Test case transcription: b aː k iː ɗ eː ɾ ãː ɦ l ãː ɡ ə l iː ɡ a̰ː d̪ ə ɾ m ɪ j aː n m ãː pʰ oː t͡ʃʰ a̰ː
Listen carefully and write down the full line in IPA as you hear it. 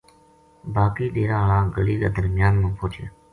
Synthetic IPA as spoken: b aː k iː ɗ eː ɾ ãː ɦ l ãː ɡ ə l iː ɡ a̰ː d̪ ə ɾ m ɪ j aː n m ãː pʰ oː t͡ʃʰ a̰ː